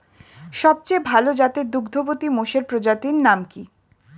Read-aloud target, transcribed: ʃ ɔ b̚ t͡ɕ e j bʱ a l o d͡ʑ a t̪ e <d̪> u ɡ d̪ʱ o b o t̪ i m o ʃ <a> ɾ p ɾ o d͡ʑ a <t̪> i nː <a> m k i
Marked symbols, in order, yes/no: yes, no, yes, yes

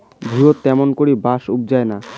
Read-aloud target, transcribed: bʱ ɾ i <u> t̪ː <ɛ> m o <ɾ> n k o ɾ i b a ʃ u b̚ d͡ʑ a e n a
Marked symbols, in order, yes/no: no, yes, no

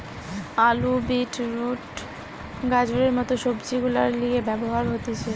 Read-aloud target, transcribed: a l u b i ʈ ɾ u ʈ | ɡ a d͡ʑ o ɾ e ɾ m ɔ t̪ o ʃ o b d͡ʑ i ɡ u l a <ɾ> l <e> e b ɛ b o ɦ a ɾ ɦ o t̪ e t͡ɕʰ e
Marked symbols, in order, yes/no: yes, no

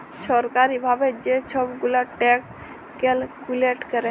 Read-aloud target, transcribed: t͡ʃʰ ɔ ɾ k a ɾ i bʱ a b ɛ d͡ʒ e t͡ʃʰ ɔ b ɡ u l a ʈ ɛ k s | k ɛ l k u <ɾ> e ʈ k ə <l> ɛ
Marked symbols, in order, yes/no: no, no

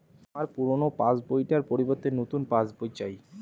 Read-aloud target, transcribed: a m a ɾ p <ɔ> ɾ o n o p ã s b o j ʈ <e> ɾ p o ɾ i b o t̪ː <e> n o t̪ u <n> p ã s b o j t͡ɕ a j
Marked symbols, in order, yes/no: no, no, yes, yes

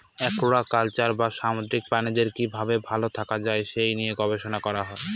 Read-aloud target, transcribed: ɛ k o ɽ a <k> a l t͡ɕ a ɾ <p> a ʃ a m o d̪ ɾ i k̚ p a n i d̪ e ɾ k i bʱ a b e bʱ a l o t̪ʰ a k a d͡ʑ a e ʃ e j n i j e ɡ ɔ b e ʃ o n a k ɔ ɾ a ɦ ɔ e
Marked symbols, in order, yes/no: yes, no

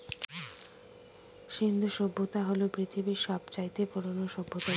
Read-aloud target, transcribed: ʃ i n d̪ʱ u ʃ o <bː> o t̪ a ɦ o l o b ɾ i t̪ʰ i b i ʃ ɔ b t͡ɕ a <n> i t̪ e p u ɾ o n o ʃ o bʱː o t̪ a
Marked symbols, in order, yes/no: yes, no

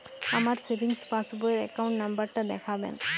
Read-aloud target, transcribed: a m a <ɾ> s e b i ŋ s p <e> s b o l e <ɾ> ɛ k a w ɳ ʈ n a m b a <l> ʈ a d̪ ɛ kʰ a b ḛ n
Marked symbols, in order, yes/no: yes, no, yes, no

